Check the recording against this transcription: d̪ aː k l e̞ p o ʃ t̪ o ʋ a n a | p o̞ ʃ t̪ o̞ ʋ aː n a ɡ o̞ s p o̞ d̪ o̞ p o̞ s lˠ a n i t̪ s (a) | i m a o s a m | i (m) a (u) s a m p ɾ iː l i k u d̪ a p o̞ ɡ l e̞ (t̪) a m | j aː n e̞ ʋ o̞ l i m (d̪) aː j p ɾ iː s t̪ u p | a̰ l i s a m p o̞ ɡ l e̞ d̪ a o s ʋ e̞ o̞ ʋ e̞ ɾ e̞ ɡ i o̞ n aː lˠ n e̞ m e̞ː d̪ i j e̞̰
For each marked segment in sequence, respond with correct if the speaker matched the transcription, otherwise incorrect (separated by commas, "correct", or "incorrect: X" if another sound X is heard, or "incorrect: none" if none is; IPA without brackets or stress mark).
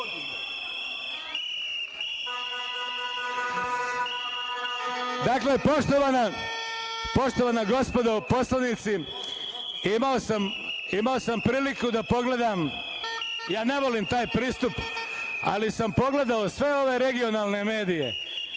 incorrect: i, correct, incorrect: o, incorrect: d̪, incorrect: t̪